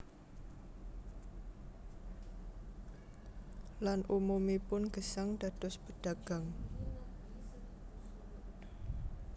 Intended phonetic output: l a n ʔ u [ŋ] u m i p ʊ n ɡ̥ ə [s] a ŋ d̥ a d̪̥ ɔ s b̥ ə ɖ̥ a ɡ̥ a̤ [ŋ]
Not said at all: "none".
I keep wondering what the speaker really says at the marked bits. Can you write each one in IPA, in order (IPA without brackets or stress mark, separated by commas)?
m, s, ŋ